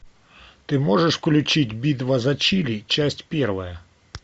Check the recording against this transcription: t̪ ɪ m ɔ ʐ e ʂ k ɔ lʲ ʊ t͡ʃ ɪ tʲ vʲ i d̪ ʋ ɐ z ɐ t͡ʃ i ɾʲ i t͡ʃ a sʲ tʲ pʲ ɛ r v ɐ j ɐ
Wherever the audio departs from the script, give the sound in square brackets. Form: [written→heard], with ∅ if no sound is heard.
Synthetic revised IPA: t̪ ɪ m ɔ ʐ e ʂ k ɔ lʲ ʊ t͡ʃ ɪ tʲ [vʲ→bʲ] i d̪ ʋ ɐ z ɐ t͡ʃ i [ɾʲ→lʲ] i t͡ʃ a sʲ tʲ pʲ ɛ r [v→ʋ] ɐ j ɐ